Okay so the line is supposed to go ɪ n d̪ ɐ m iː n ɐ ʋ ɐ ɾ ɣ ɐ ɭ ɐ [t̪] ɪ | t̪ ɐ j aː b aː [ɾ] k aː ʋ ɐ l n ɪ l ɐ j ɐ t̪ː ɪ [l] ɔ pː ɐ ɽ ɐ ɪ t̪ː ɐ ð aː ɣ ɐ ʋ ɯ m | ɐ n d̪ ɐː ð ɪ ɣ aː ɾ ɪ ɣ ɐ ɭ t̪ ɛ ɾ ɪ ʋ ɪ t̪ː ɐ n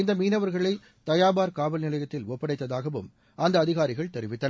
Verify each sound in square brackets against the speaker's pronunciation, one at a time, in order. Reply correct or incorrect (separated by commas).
incorrect, correct, correct